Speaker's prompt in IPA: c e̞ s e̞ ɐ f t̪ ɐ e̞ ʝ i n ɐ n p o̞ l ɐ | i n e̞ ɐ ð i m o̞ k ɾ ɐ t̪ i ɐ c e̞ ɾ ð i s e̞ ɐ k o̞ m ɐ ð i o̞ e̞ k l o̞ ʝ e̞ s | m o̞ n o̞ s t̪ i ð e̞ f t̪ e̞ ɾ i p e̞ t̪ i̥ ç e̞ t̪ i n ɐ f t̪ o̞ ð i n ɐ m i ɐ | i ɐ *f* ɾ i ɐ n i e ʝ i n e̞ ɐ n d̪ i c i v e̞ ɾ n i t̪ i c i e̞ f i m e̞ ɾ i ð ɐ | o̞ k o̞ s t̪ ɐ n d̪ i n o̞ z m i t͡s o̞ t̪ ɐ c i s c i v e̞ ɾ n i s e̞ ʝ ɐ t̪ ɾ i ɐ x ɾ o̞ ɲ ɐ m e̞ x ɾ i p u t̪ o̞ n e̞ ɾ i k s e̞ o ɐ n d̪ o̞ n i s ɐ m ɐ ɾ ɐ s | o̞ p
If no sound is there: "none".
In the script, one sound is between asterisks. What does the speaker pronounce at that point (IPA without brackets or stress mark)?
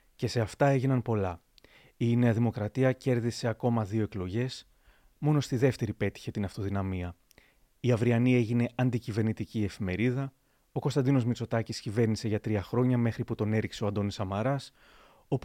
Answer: v